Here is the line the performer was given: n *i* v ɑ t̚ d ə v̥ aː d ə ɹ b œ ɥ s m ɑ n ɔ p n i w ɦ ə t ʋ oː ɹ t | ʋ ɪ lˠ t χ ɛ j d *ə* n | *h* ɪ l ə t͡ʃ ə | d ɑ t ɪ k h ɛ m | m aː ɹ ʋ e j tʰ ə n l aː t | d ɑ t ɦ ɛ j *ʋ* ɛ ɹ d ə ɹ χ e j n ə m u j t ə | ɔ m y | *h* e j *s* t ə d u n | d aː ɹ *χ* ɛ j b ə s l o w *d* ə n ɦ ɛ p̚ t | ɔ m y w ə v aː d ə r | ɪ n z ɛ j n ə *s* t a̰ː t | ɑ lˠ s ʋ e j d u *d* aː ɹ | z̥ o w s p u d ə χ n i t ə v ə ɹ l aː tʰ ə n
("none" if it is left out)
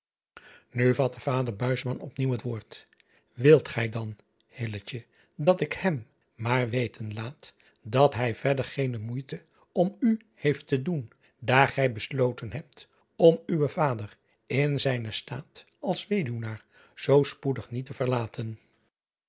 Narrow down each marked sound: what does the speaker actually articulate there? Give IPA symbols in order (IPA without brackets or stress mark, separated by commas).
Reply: y, ɑ, h, v, h, f, χ, t, s, n